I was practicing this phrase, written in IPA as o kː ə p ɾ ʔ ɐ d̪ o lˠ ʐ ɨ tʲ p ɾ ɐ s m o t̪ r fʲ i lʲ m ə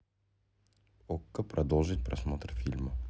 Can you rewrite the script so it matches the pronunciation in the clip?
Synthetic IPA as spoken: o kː ə p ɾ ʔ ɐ d̪ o lˠ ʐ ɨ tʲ p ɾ ɐ s m o t̪ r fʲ i lʲ m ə